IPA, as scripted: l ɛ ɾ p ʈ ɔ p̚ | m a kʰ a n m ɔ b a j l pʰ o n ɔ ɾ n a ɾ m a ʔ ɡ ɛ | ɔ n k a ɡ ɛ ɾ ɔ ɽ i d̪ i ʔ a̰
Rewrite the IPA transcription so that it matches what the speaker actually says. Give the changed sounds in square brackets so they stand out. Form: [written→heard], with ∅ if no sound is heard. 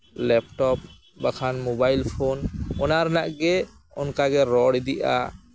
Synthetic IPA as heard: l ɛ [ɾ→∅] p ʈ ɔ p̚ | [m→b] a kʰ a n m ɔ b a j l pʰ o n ɔ [ɾ→∅] n a ɾ [m→n] a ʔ ɡ ɛ | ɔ n k a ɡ ɛ ɾ ɔ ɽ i d̪ i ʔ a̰

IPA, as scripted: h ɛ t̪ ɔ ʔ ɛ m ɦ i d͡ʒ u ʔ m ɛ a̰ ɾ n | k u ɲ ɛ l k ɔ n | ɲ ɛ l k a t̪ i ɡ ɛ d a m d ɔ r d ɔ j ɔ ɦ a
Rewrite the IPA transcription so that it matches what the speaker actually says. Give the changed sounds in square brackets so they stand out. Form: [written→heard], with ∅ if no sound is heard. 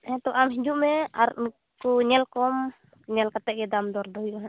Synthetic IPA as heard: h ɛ t̪ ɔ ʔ [ɛ→a] m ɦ i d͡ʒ u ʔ m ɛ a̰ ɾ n | k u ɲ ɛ l k ɔ [n→m] | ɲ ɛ l k a t̪ [i→ɛ] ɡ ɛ d a m d ɔ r d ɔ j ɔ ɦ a

